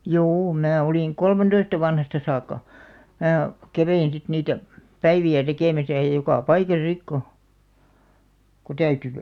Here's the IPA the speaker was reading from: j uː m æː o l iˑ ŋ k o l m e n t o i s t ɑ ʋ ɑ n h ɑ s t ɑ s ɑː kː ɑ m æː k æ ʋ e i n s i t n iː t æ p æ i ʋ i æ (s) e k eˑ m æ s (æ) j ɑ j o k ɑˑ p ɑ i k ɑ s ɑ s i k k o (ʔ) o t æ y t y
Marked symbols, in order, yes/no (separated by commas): no, yes, no